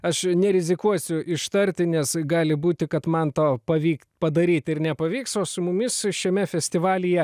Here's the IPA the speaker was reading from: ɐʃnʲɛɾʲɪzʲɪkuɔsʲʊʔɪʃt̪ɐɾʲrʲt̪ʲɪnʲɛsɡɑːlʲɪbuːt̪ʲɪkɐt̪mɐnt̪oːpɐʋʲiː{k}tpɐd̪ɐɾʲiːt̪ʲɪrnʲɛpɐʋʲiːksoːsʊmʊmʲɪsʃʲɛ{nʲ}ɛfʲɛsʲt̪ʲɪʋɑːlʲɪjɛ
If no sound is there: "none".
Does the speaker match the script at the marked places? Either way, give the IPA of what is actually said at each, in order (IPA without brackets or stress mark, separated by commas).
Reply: k, mʲ